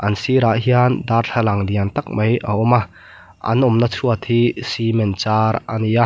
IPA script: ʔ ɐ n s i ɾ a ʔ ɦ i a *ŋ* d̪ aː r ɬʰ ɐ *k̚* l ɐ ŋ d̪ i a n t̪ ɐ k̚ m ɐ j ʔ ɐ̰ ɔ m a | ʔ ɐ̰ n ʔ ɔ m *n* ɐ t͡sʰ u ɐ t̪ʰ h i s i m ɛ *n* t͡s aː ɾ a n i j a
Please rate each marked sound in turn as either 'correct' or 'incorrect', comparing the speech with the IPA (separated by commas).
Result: incorrect, incorrect, correct, correct